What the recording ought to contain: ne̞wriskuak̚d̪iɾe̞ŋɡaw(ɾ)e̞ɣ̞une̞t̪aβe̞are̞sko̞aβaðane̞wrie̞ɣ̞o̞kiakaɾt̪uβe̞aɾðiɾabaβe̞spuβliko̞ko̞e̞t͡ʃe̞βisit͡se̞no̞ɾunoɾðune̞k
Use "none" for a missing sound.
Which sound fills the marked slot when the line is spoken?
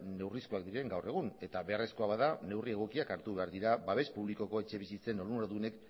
r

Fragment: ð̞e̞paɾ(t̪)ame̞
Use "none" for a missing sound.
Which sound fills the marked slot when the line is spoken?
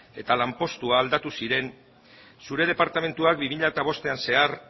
t̪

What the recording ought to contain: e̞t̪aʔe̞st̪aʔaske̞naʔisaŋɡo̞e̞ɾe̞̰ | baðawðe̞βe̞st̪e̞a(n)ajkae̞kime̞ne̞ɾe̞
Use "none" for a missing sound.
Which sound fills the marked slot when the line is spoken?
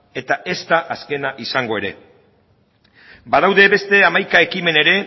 m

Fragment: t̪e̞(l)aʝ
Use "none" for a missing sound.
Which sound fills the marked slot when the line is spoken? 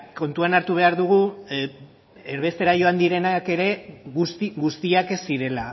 ɾ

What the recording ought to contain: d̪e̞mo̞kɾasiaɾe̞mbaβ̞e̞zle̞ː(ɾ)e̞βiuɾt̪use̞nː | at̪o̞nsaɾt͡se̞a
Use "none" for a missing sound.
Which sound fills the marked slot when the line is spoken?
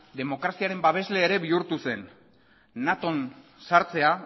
ɾ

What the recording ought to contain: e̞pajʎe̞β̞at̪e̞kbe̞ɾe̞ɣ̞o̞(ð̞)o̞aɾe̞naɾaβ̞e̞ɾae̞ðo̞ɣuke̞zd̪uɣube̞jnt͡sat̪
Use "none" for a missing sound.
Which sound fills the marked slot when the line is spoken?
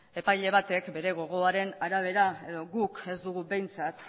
ɣ̞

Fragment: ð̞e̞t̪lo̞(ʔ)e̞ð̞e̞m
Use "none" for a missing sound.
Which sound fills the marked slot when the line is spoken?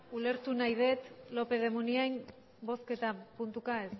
p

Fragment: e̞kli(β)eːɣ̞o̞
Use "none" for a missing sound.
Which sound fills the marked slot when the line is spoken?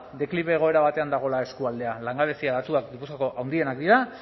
β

